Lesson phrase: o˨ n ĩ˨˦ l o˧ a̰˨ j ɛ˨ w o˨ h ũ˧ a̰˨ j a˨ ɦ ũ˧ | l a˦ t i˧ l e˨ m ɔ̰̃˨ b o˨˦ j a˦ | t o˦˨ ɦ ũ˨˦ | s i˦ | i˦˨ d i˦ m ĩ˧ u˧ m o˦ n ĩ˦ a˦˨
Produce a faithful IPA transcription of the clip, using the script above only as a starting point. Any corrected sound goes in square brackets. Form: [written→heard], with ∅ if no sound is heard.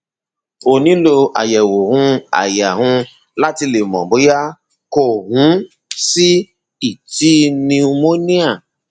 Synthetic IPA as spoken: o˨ n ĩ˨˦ l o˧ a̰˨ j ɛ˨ w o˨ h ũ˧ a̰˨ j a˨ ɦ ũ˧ | l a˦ t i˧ l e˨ m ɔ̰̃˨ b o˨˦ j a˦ | [t→k] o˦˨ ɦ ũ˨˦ | s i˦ | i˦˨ [d→t] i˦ [m→n] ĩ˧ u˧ m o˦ n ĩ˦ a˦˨